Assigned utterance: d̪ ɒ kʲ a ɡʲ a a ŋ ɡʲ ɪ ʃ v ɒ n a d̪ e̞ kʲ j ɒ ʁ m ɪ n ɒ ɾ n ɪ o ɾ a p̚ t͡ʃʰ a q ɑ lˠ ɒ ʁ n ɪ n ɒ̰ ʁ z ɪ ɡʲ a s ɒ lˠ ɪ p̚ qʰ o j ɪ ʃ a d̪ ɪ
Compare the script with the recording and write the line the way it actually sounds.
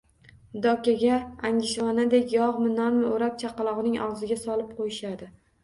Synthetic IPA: d̪ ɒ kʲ a ɡʲ a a ŋ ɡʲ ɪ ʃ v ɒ n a d̪ e̞ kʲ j ɒ ʁ m ɪ n ɒ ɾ m ɪ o ɾ a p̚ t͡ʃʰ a q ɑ lˠ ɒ ʁ n ɪ ŋ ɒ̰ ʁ z ɪ ɡʲ a s ɒ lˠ ɪ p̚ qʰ o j ɪ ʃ a d̪ ɪ

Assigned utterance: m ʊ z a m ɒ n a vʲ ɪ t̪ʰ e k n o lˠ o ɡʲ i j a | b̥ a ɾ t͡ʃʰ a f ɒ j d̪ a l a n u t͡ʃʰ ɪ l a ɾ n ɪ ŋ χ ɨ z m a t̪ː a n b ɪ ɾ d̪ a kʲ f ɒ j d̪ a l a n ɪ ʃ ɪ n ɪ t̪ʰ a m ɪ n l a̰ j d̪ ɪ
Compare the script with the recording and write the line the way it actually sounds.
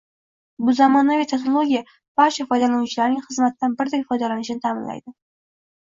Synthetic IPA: b ʊ z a m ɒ n a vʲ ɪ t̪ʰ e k n o lˠ o ɡʲ i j a | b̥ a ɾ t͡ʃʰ a f ɒ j d̪ a l a n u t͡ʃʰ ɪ l a ɾ n ɪ ŋ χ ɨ z m a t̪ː a n b ɪ ɾ d̪ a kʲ f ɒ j d̪ a l a n ɪ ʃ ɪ n ɪ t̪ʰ a m ɪ n l a̰ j d̪ ɪ

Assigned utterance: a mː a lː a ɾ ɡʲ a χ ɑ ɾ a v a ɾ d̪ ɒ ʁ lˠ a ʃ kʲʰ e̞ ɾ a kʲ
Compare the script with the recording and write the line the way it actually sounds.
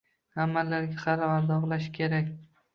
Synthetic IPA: a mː a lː a ɾ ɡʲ a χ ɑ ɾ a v a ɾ d̪ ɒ ʁ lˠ a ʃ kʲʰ e̞ ɾ a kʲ

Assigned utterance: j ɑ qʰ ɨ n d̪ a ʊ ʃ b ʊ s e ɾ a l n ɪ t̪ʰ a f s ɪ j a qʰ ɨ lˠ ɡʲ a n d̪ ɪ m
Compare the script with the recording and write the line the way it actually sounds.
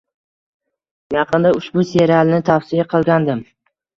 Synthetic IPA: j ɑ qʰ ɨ n d̪ a ʊ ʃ b ʊ s e ɾ a l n ɪ t̪ʰ a f s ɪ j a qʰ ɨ lˠ ɡʲ a n d̪ ɪ m

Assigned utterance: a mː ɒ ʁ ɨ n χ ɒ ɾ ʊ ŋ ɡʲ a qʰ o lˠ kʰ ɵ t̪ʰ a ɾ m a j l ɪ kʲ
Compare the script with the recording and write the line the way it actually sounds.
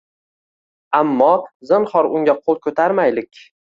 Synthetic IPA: a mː ɒ z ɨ n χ ɒ ɾ ʊ ŋ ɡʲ a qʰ o lˠ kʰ ɵ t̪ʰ a ɾ m a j l ɪ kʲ

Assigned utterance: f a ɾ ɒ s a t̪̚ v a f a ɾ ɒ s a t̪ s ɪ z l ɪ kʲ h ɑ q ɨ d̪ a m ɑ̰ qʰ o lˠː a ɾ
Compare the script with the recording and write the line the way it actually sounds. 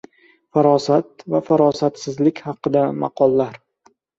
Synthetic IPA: f a ɾ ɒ s a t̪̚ v a f a ɾ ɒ s a t̪ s ɪ z l ɪ kʲ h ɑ q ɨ d̪ a m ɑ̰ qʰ ɒ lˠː a ɾ

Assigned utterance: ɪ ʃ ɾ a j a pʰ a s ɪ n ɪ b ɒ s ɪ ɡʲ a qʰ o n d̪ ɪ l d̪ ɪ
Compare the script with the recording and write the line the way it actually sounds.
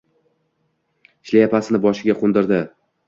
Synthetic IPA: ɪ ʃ l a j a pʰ a s ɪ n ɪ b ɒ ʃ ɪ ɡʲ a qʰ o n d̪ ɪ ɾ d̪ ɪ

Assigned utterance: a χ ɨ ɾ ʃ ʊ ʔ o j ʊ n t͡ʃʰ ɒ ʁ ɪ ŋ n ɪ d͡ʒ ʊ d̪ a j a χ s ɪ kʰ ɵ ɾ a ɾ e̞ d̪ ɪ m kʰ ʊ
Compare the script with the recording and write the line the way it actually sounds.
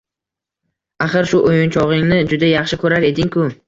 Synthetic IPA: a χ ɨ ɾ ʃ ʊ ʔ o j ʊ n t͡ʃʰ ɒ ʁ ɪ ŋ n ɪ d͡ʒ ʊ d̪ a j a χ ʃ ɪ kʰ ɵ ɾ a ɾ e̞ d̪ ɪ ŋ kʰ ʊ

